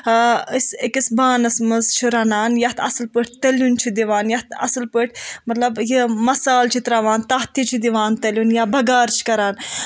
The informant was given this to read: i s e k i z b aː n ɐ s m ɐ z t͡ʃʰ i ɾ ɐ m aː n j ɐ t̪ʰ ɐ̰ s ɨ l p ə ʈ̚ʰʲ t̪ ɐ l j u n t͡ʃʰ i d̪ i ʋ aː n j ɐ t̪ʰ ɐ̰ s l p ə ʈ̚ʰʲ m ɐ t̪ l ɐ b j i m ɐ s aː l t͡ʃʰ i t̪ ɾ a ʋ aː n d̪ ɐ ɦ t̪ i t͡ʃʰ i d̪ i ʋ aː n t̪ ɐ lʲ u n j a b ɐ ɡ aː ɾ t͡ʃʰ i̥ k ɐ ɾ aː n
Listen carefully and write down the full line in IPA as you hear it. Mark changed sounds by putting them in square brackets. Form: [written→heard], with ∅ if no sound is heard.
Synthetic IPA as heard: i s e k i [z→s] b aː n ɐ s m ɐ z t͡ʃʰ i ɾ ɐ [m→n] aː n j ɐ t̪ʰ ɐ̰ s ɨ l p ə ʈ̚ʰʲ t̪ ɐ l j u n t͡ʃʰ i d̪ i ʋ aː n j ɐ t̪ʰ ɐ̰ s l p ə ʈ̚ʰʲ m ɐ t̪ l ɐ b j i m ɐ s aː l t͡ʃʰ i t̪ ɾ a ʋ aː n [d̪→t̪] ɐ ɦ t̪ i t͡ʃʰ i d̪ i ʋ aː n t̪ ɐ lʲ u n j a b ɐ ɡ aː ɾ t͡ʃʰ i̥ k ɐ ɾ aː n